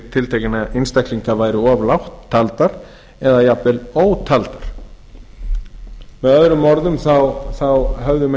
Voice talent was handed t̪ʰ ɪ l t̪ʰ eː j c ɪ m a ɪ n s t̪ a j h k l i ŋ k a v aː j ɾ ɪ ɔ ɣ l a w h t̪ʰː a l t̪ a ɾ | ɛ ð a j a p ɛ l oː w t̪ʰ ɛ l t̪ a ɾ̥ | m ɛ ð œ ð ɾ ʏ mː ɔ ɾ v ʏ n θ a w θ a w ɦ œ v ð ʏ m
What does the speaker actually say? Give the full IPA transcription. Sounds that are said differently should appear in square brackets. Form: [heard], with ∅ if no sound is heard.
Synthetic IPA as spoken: t̪ʰ ɪ l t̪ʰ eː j c ɪ [n] a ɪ n s t̪ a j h k l i ŋ k a v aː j ɾ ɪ ɔ [v] l a w h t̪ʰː a l t̪ a ɾ | ɛ ð a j a p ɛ l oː w t̪ʰ [a] l t̪ a ɾ̥ | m ɛ ð œ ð ɾ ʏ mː ɔ ɾ [ð] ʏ [m] θ a w θ a w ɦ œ v ð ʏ m